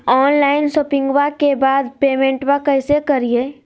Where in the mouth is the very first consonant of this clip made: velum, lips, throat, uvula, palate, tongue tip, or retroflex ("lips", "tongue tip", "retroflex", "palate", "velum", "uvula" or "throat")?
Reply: tongue tip